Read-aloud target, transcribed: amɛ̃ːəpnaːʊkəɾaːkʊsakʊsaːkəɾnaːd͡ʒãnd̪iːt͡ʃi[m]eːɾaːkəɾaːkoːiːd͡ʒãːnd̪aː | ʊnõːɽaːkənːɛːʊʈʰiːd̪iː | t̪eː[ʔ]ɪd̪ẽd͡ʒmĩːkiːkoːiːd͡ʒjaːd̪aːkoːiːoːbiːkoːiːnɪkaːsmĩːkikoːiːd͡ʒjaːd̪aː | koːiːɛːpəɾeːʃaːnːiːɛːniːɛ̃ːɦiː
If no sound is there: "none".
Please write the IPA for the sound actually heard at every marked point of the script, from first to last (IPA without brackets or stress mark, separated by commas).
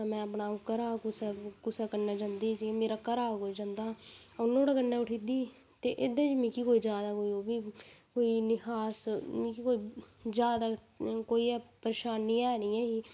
m, ʔ